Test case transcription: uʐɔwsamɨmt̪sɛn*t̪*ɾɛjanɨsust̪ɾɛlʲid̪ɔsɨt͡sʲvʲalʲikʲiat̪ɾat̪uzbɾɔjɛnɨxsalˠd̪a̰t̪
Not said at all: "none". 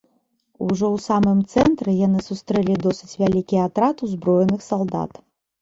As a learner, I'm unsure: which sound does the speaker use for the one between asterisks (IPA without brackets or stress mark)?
t̪